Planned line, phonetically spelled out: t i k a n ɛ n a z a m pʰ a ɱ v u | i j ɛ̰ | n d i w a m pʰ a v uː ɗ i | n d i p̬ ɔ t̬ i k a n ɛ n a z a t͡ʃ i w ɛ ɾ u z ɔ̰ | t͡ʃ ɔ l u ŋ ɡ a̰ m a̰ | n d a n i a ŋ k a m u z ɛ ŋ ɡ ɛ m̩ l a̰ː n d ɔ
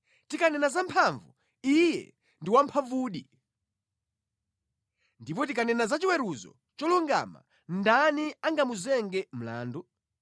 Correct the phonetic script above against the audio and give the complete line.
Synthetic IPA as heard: t i k a n ɛ n a z a m pʰ a ɱ v u | i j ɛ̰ | n d i w a m pʰ a v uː ɗ i | n d i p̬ ɔ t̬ i k a n ɛ n a z a t͡ʃ i w ɛ ɾ u z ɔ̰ | t͡ʃ ɔ l u ŋ ɡ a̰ m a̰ | n d a n i a ŋ ɡ a m u z ɛ ŋ ɡ ɛ m̩ l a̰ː n d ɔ